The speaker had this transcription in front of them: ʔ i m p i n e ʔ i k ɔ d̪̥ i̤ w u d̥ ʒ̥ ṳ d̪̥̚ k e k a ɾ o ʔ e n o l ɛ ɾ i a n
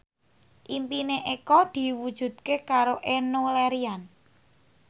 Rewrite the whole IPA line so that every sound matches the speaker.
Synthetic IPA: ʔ i m p i n e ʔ e k ɔ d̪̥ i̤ w u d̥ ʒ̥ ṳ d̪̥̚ k e k a ɾ o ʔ e n o l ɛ ɾ i a n